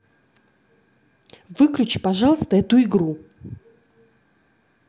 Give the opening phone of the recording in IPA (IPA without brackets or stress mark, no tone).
v